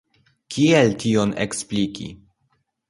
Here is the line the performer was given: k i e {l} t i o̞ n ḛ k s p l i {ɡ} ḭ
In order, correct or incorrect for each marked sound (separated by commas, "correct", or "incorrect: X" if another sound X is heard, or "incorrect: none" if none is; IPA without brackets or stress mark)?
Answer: correct, incorrect: k